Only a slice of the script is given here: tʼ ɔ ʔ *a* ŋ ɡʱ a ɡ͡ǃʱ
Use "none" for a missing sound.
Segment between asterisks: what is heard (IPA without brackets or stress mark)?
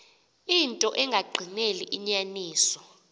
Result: ɛ